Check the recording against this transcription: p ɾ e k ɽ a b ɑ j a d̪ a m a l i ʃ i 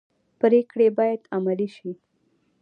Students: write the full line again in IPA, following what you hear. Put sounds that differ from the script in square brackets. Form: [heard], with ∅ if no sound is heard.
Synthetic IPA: p ɾ e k ɽ [e] b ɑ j a d̪ a m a l i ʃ i